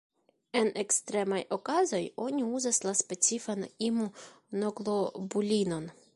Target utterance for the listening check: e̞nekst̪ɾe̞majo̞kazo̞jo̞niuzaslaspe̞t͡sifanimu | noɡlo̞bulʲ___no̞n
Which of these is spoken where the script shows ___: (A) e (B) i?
B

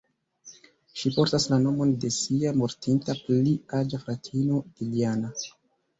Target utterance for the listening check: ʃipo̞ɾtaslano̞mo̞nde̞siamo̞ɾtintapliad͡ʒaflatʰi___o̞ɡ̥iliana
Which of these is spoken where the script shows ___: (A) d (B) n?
B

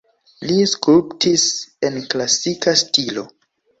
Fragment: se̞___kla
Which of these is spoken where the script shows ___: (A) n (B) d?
A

